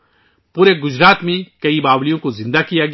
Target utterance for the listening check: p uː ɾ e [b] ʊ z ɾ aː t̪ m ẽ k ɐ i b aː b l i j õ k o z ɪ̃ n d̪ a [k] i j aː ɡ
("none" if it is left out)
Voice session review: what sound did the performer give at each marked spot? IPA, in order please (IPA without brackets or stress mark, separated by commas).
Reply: ɡ, k